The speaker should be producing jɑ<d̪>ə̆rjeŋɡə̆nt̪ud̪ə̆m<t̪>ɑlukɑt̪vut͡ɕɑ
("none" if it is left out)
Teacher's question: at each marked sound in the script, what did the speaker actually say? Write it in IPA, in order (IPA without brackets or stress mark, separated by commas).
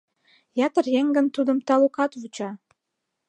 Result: t̪, t̪